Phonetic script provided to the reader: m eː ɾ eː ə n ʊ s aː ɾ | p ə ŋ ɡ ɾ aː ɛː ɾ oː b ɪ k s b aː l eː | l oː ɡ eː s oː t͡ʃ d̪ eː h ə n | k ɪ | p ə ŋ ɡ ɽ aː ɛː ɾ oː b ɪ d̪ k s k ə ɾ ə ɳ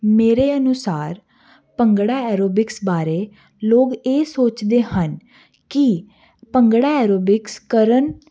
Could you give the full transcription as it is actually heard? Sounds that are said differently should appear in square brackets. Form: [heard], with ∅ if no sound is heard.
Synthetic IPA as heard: m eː ɾ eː ə n ʊ s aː ɾ | p ə ŋ ɡ [ɽ] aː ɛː ɾ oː b ɪ k s b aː [ɾ] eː | l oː ɡ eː s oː t͡ʃ d̪ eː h ə n | k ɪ | p ə ŋ ɡ ɽ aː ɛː ɾ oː b ɪ [∅] k s k ə ɾ ə [n]